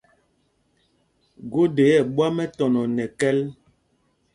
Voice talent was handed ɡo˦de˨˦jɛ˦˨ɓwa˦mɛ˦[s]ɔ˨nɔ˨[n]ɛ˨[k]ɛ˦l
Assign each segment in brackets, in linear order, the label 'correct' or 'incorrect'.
incorrect: t, correct, correct

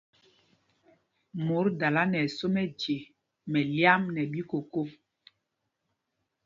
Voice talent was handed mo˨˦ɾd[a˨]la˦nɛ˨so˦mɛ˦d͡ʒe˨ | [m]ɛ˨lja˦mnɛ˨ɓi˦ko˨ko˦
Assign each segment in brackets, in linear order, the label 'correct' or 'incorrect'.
correct, correct

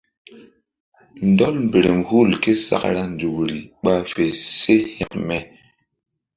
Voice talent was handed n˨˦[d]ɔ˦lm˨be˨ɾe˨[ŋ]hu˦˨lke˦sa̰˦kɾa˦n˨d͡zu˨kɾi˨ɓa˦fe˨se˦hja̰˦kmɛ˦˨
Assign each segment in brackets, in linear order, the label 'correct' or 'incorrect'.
correct, incorrect: m

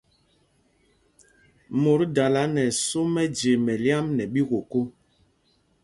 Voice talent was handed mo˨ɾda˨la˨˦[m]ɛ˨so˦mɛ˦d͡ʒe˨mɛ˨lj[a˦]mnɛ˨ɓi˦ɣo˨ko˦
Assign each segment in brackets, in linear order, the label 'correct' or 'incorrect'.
incorrect: n, correct

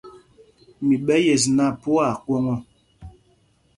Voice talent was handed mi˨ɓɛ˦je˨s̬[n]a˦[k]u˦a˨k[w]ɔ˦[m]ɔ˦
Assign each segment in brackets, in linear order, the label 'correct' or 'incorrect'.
correct, incorrect: p, correct, incorrect: ŋ

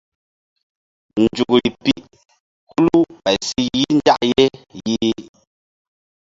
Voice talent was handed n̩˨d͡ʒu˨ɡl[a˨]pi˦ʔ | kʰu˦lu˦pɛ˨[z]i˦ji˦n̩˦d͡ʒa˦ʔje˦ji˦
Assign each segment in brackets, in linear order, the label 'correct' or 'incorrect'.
incorrect: i˨, incorrect: s

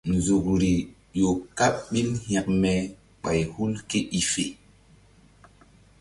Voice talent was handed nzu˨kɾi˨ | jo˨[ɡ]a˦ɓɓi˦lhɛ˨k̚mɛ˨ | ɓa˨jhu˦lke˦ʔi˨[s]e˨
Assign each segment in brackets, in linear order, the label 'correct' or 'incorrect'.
incorrect: k, incorrect: f

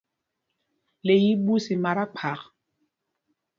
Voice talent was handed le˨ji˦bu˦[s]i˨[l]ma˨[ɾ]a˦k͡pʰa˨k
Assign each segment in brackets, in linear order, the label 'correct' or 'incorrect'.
correct, incorrect: none, correct

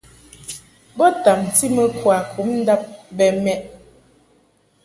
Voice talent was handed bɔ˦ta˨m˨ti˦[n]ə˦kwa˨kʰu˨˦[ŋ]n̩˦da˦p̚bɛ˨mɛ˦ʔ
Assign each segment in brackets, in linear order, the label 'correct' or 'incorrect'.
incorrect: m, incorrect: m

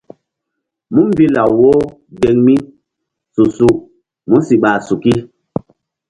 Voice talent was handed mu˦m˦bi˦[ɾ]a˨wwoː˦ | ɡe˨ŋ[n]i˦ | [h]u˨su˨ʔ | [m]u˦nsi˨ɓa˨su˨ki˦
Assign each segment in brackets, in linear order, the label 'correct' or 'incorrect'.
incorrect: l, incorrect: m, incorrect: s, correct

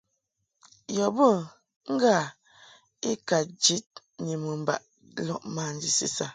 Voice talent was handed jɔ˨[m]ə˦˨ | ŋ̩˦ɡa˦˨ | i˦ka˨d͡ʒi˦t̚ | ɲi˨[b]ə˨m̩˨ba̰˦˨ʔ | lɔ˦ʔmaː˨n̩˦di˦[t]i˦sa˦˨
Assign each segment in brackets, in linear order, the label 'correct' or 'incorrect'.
incorrect: b, incorrect: m, incorrect: s

